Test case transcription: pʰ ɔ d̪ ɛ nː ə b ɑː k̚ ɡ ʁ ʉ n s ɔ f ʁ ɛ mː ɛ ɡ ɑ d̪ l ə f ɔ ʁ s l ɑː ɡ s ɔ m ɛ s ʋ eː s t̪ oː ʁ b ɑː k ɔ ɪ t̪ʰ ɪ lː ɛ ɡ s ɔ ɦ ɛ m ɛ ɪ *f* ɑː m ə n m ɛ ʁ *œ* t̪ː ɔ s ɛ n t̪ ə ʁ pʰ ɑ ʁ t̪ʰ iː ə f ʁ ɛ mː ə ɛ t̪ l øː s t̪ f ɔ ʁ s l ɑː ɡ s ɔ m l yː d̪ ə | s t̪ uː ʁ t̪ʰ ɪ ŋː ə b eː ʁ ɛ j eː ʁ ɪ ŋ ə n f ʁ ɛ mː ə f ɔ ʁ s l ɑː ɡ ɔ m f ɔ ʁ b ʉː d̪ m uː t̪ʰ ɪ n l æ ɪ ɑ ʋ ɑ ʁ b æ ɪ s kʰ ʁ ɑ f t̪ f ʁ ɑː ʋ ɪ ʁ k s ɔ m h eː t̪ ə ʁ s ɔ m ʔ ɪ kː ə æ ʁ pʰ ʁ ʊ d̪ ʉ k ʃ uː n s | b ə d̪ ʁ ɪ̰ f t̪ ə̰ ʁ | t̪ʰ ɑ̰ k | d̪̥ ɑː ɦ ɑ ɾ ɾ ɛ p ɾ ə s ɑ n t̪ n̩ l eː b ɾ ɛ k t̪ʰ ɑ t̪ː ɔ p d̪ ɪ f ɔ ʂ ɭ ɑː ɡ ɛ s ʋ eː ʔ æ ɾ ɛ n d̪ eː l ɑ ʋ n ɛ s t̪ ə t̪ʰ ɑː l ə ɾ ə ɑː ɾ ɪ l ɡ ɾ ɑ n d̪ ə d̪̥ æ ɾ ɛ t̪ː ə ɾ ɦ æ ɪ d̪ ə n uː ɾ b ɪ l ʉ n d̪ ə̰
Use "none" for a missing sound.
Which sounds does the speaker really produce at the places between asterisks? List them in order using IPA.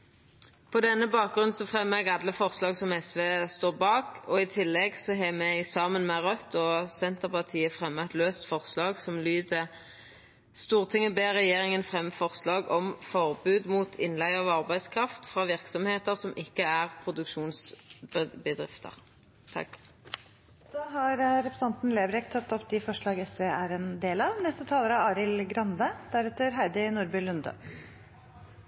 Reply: s, œ

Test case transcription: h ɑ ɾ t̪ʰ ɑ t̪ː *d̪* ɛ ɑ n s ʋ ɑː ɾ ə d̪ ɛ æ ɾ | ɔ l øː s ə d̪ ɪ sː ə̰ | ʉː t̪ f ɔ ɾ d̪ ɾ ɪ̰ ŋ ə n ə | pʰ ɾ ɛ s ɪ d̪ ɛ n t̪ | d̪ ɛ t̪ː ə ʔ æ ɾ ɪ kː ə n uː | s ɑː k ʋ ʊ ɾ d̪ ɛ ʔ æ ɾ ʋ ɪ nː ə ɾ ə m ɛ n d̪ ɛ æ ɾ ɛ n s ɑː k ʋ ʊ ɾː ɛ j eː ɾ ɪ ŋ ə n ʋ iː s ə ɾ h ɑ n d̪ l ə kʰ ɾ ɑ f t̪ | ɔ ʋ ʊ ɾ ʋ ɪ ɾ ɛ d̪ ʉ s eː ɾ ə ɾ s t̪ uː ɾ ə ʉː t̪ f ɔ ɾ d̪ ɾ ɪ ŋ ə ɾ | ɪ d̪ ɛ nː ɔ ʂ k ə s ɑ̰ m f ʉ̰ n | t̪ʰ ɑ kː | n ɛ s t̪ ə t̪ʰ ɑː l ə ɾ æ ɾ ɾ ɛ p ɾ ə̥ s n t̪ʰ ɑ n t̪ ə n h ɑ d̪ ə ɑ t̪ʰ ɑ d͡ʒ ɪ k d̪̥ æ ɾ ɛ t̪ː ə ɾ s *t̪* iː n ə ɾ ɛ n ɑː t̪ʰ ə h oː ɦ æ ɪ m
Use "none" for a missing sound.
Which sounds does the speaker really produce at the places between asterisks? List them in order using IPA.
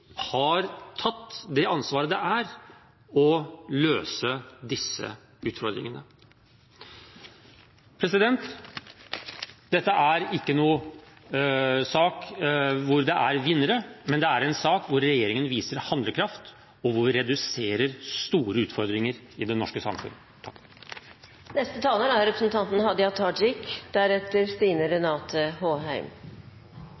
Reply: d̪, t̪

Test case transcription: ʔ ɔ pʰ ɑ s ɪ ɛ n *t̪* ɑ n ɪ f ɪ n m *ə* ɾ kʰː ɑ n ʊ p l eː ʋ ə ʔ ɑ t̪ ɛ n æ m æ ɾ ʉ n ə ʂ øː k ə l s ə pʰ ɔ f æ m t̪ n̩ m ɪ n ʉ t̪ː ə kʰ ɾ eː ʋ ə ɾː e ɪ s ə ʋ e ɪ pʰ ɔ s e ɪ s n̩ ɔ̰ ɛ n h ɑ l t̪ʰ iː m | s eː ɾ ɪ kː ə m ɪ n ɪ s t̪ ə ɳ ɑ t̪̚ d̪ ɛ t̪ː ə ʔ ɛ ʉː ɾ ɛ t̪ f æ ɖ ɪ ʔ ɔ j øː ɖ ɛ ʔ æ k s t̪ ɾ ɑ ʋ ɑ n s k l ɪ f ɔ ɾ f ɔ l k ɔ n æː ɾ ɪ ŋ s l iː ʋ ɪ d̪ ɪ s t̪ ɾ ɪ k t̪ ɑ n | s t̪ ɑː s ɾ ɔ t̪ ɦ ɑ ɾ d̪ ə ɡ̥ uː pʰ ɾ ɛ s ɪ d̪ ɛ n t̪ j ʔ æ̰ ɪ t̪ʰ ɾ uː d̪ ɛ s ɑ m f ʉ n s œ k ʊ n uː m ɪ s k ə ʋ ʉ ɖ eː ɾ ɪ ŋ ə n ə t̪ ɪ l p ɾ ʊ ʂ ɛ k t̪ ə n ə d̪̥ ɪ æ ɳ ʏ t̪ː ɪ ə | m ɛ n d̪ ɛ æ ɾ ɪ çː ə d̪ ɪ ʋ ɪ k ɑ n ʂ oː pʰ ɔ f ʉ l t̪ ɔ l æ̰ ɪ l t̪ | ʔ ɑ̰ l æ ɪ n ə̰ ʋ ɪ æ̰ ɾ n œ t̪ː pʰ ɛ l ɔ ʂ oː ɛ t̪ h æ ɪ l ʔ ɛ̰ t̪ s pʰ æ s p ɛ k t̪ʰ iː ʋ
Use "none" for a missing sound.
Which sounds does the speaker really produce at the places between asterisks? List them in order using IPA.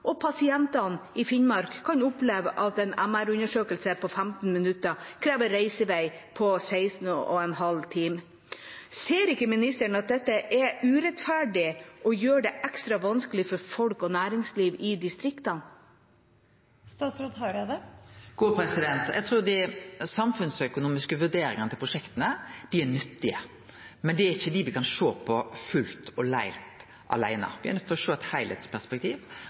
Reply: t̪, ɑ

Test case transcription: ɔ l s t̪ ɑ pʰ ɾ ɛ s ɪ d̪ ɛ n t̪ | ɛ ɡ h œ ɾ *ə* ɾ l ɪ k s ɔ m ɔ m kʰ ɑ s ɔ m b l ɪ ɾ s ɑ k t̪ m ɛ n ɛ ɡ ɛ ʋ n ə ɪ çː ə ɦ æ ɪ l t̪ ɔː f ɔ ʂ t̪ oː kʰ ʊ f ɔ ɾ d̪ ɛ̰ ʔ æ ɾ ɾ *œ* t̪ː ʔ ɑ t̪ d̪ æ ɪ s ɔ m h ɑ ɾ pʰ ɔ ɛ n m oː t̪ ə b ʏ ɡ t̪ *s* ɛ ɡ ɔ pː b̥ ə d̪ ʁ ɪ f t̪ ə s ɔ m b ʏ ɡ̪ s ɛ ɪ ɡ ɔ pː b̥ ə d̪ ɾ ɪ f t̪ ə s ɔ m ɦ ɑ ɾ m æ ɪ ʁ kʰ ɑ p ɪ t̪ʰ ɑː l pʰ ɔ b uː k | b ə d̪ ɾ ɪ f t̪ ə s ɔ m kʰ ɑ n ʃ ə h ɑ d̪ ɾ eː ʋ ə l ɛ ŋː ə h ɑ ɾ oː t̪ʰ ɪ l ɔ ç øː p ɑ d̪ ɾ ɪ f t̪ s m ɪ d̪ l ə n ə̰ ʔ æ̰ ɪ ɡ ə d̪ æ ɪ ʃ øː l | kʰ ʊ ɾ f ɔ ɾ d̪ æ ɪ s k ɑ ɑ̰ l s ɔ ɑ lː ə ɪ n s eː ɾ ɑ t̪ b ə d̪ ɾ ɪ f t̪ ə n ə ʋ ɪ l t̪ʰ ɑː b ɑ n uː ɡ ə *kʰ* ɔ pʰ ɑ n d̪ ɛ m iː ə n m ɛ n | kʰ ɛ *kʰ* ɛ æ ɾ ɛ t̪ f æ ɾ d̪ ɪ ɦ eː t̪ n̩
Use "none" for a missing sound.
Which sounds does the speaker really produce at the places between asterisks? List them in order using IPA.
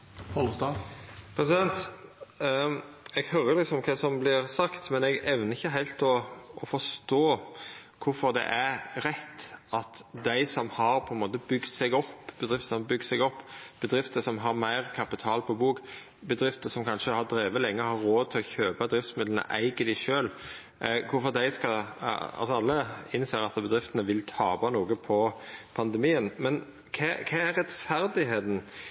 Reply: ə, ɛ, s, pʰ, kʰ

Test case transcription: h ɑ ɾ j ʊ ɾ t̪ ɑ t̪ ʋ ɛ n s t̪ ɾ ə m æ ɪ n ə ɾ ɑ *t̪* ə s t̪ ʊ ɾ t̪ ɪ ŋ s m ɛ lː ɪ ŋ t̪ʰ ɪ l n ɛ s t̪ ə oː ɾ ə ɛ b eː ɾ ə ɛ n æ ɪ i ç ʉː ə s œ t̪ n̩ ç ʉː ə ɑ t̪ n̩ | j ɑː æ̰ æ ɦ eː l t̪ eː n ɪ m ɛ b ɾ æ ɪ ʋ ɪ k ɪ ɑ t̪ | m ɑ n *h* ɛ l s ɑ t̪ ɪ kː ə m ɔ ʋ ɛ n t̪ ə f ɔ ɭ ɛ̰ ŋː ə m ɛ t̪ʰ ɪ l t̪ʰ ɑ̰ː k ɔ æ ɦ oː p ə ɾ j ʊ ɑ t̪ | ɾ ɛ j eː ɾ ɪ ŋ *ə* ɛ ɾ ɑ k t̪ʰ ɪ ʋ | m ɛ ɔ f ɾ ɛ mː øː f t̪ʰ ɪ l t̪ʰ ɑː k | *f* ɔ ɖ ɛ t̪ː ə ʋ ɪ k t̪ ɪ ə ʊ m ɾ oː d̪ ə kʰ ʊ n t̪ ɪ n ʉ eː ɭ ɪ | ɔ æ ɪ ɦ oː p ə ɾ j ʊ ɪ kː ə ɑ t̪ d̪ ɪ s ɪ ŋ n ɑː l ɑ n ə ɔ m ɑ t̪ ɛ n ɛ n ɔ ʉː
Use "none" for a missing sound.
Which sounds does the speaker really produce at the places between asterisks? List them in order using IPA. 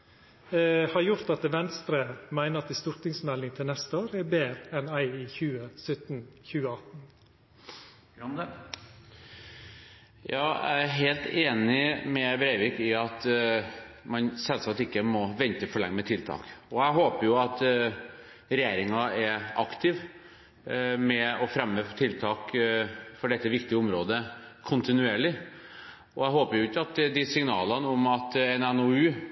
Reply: t̪, s, ɑ, f

